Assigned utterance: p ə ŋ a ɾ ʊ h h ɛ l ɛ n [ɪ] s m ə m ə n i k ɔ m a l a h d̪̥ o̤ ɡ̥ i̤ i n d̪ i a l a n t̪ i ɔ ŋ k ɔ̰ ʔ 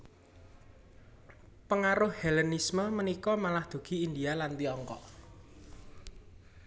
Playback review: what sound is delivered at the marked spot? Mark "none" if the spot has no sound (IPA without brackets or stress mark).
i